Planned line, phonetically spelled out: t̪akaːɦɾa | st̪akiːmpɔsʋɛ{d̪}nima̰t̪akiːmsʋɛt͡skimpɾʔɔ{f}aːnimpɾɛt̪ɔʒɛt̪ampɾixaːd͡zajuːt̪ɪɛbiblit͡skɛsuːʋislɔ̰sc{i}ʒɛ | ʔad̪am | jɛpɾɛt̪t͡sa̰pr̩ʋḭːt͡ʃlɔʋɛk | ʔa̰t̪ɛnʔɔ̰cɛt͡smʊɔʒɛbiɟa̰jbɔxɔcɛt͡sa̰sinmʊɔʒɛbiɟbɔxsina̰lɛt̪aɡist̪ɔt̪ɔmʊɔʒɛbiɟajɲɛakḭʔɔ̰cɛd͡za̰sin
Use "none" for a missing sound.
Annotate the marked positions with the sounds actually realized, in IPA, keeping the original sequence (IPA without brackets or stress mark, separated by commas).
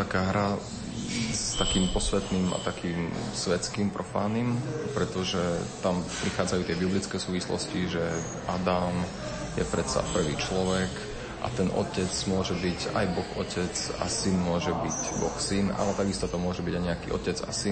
t̪, f, i